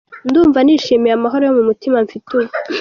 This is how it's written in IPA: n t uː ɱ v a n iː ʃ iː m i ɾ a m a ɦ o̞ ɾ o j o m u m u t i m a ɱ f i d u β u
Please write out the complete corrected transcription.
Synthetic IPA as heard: n d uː ɱ v a n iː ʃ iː m i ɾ a m a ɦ o̞ ɾ o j o m u m u t i m a ɱ f i t u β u